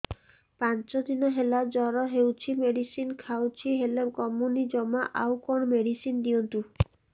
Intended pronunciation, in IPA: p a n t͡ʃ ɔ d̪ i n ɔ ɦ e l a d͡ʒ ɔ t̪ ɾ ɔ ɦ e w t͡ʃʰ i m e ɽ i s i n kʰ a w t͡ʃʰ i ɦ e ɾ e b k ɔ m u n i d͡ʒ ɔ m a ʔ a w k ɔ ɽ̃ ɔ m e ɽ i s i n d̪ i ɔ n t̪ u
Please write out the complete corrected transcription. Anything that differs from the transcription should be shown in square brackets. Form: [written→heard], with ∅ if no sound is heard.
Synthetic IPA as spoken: p a n t͡ʃ ɔ d̪ i n ɔ ɦ e l a d͡ʒ ɔ [t̪→∅] ɾ ɔ ɦ e w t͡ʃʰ i m e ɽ i s i n kʰ a w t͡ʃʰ i ɦ e [ɾ→l] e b k ɔ m u n i d͡ʒ ɔ m a ʔ a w k ɔ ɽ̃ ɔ m e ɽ i s i n d̪ i ɔ n t̪ u